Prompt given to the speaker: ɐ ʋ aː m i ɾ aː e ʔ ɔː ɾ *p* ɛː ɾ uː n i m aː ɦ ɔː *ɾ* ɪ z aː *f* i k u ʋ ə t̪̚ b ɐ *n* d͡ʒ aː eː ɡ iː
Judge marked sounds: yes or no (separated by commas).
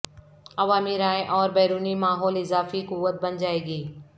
no, no, yes, yes